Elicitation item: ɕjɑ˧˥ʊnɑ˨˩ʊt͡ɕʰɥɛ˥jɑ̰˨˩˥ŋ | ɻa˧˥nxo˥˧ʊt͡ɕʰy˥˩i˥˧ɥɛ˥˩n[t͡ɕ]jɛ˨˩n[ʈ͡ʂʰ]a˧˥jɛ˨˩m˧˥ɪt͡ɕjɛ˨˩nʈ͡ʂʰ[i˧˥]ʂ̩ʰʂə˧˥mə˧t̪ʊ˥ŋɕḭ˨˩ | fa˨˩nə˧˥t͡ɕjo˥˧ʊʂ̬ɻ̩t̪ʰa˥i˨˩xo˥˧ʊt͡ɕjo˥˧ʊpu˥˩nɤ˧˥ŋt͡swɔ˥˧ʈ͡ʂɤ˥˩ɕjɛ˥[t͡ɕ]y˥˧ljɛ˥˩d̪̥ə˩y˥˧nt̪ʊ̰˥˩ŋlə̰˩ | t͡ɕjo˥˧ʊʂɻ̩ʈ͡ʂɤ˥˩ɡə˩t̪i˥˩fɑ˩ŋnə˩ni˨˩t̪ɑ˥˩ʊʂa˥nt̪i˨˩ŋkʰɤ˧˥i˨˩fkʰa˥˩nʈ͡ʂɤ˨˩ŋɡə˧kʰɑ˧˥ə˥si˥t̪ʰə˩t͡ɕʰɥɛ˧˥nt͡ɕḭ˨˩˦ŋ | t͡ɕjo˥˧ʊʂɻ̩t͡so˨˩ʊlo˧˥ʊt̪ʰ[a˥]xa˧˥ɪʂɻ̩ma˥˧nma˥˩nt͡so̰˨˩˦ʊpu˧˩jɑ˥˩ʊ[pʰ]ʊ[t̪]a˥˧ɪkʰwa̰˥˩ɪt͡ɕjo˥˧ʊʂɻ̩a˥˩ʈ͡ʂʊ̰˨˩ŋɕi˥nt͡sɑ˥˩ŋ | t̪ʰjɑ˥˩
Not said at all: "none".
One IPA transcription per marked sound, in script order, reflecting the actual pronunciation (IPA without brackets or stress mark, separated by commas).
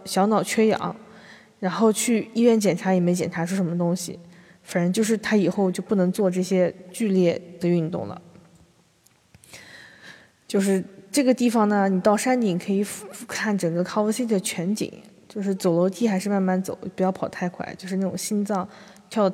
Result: t͡ɕ, ʈ͡ʂʰ, a˧˥, t͡ɕ, i˥, pʰ, t̪ʰ